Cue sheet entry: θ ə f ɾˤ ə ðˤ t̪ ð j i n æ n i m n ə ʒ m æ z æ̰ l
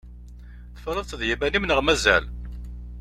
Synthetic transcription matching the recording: θ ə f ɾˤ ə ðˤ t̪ ð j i m æ n i m n ə ʁ m æ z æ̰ l